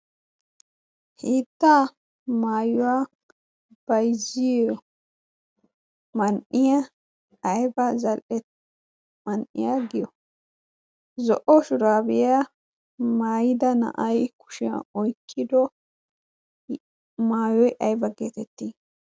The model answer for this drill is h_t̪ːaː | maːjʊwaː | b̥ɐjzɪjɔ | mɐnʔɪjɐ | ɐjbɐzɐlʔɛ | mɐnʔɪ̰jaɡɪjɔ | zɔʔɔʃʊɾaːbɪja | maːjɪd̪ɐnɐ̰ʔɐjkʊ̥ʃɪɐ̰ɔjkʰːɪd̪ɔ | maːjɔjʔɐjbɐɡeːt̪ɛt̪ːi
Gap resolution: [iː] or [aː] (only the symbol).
iː